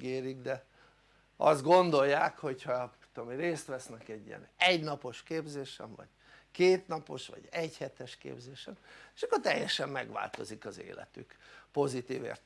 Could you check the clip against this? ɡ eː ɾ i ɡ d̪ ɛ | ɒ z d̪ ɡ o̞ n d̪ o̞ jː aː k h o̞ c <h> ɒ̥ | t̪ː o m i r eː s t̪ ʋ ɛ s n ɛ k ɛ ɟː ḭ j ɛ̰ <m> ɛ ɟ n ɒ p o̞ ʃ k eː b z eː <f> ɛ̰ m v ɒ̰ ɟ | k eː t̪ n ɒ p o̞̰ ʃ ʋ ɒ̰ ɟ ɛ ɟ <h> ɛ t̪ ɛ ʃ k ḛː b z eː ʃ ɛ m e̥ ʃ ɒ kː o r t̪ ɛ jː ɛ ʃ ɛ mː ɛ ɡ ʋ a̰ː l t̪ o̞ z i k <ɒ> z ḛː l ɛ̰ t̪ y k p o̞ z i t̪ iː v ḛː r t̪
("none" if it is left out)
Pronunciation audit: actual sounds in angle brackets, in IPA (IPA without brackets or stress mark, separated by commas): h, n, ʃ, h, ɒ